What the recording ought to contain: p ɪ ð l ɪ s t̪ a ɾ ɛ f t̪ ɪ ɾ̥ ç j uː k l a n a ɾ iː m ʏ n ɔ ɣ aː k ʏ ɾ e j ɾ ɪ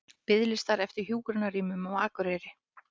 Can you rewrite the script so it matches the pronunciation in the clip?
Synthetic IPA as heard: p ɪ ð l ɪ s t̪ a ɾ ɛ f t̪ ɪ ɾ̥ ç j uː k ɾ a n a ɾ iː m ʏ m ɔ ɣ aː k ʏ ɾ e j ɾ ɪ